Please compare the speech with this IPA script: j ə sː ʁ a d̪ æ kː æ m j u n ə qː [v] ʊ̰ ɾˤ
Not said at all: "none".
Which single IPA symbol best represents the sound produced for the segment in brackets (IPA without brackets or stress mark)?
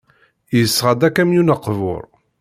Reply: v